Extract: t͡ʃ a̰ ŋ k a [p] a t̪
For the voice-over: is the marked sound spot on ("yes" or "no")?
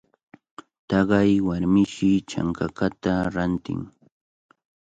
no